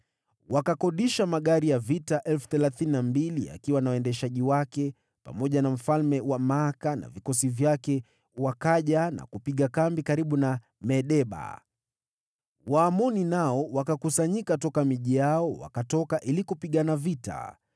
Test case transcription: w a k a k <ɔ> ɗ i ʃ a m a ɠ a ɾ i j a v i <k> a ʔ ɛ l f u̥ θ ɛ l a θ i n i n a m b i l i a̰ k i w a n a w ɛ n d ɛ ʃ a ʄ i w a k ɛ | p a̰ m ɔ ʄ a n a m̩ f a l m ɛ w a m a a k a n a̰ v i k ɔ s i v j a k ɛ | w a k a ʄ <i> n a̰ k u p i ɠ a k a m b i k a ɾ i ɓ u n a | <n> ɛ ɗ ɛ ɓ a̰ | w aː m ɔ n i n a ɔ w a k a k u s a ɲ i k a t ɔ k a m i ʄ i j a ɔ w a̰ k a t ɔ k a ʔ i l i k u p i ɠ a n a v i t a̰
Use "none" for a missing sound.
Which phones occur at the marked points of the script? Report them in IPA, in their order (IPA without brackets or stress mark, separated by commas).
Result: ɔ, t, a, m